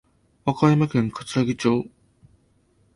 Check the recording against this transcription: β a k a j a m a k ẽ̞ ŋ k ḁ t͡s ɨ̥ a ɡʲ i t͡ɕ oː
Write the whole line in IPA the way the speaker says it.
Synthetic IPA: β a k a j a m a k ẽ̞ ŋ k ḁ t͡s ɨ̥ a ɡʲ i t͡ɕ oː